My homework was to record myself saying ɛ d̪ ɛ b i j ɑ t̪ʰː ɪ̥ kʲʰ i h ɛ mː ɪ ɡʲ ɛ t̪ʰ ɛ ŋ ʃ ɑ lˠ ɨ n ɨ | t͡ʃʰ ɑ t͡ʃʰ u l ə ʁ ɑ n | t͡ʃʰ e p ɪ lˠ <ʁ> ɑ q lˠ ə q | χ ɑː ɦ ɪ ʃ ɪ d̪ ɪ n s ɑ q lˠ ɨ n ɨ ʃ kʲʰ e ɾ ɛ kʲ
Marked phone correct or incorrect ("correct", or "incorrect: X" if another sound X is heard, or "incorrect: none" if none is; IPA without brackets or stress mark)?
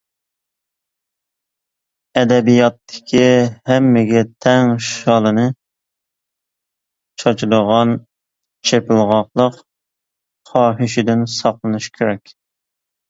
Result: correct